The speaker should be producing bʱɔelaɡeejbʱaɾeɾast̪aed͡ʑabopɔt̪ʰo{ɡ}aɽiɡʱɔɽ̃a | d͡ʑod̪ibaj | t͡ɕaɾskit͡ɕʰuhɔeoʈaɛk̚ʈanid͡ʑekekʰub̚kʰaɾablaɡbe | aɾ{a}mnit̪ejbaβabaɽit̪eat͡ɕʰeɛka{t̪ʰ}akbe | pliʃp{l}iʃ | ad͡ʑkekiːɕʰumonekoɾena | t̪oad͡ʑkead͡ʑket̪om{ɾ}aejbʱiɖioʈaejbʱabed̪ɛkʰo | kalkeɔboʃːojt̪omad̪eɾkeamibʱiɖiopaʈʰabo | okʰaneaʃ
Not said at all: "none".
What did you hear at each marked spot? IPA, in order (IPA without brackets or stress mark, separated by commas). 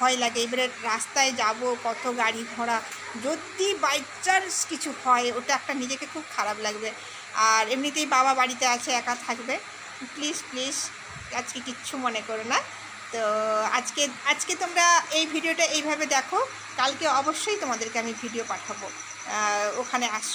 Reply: ɡ, e, t̪ʰ, l, ɾ